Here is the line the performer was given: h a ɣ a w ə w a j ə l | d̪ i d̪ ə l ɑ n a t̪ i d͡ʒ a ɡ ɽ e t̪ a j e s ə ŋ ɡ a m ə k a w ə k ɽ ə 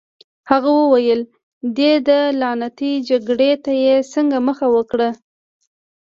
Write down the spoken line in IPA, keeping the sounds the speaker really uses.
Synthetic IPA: h a ɣ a w ə w a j ə l | d̪ e d̪ ə l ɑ n a t̪ i d͡ʒ a ɡ ɽ e t̪ a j e s ə ŋ ɡ a m ə x a w ə k ɽ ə